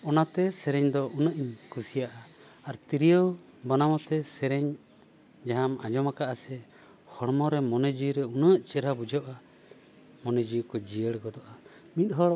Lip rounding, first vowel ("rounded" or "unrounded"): rounded